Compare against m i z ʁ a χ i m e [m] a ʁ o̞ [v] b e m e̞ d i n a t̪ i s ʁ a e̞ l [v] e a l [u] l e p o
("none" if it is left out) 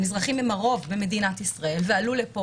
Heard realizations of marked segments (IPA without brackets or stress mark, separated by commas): m, v, v, u